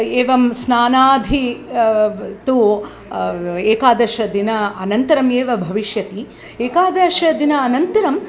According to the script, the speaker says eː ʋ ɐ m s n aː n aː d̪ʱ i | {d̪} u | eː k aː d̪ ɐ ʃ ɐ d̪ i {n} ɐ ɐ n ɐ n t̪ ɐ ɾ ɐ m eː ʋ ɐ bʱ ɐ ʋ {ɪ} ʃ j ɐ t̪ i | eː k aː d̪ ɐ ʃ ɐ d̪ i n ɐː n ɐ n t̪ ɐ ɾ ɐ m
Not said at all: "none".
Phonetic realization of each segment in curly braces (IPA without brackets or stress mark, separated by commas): t̪, n, i